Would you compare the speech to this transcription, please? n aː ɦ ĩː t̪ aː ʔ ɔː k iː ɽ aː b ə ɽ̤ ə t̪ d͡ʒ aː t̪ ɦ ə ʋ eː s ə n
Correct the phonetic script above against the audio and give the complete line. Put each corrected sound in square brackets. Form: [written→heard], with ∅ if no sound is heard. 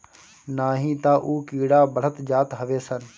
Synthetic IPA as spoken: n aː ɦ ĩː t̪ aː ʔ [ɔː→uː] k iː ɽ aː b ə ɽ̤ ə t̪ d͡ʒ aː t̪ ɦ ə ʋ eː s ə n